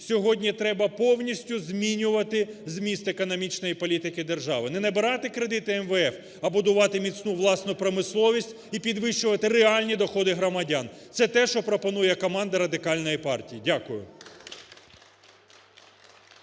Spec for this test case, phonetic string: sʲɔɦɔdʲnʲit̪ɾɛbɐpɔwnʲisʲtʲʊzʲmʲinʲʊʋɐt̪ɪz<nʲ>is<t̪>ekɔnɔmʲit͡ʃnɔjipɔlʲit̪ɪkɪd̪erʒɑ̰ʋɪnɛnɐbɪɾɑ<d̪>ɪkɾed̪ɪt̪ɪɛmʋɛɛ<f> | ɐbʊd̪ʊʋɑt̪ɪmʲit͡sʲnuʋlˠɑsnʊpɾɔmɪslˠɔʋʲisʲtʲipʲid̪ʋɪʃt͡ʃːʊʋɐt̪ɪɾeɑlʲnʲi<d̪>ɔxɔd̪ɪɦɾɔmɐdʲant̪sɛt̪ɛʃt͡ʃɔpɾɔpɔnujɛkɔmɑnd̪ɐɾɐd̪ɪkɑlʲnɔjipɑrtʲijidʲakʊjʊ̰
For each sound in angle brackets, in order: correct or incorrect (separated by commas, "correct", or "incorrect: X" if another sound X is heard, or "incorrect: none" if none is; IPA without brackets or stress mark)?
incorrect: mʲ, correct, incorrect: t̪, correct, correct